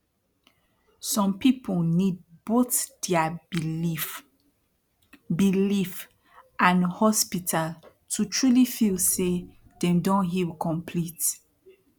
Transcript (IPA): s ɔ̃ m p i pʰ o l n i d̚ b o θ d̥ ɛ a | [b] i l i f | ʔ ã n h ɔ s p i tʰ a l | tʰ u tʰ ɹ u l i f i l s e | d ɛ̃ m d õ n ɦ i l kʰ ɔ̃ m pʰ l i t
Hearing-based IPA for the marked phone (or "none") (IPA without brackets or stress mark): b